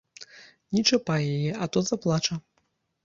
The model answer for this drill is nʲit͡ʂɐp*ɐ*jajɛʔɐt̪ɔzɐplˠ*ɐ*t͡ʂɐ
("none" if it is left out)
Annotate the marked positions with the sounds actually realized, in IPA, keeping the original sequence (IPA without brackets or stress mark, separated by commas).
a, a